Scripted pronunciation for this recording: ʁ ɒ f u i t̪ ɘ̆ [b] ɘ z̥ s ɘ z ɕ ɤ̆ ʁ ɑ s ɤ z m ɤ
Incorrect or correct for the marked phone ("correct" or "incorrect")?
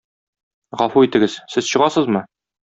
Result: incorrect